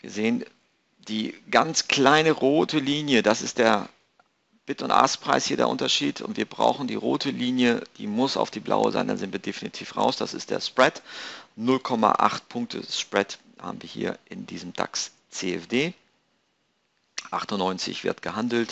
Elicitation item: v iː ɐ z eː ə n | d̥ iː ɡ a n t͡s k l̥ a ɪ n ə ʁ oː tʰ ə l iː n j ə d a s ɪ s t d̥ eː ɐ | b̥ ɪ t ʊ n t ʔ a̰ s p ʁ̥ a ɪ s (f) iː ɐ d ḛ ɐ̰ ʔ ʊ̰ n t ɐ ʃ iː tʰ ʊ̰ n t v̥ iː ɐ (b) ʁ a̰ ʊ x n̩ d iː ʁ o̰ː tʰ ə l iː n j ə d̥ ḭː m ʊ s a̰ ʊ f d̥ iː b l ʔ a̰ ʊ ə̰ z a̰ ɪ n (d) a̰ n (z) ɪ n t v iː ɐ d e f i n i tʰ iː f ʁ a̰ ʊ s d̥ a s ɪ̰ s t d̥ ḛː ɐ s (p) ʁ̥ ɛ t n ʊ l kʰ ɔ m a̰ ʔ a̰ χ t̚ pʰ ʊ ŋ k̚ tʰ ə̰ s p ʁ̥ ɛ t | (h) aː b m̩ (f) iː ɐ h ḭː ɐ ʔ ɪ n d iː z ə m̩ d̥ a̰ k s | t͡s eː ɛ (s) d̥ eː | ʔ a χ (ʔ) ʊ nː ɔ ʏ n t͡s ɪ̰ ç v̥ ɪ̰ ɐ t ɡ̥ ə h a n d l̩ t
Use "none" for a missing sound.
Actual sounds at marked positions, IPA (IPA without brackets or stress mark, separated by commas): h, b, d, z, p, h, v, f, t